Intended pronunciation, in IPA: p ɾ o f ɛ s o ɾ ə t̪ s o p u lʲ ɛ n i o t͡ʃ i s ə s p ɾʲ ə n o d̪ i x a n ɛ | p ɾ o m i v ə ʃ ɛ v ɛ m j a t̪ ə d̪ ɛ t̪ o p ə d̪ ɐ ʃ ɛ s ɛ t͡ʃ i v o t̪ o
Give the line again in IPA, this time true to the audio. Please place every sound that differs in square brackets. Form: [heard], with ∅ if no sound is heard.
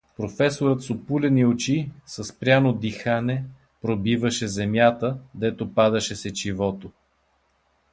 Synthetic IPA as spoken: p ɾ o f ɛ s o ɾ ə t̪ s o p u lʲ ɛ n i o t͡ʃ i s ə s p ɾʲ [a] n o d̪ i x a n ɛ | p ɾ o [b] i v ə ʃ ɛ [z] ɛ m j a t̪ ə d̪ ɛ t̪ o p [a] d̪ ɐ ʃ ɛ s ɛ t͡ʃ i v [ɔ] t̪ o